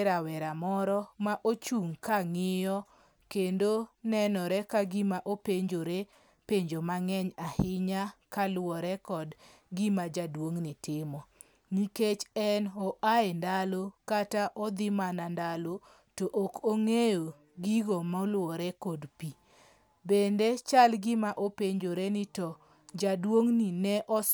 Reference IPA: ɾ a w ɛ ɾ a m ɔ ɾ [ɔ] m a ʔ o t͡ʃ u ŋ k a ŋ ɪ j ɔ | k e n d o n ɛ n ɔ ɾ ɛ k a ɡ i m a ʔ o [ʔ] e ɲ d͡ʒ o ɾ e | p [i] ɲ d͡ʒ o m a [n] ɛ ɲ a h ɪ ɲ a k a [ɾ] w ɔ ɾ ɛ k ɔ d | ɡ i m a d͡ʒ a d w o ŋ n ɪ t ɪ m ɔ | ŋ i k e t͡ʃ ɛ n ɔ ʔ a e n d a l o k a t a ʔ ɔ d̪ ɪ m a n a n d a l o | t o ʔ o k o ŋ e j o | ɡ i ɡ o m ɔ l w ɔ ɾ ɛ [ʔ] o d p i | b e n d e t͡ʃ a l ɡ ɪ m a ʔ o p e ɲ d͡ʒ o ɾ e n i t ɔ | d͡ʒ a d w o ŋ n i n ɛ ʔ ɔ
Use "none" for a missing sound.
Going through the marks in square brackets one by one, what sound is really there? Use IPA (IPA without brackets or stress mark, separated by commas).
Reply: ɔ, p, e, ŋ, l, k